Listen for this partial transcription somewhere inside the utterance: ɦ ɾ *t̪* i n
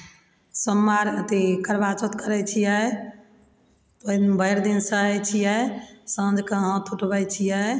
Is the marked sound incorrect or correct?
incorrect